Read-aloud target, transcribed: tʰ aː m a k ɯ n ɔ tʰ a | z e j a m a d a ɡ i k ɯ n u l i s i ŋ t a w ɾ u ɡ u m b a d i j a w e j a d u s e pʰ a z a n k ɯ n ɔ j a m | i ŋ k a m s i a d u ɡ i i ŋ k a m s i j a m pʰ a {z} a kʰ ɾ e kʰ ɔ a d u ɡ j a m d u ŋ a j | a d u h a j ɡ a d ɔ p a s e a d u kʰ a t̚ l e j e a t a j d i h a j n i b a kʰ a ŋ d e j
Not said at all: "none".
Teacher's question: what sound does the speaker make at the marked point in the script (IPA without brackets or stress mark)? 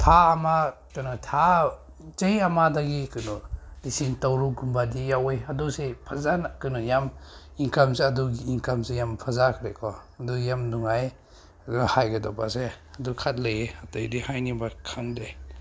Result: z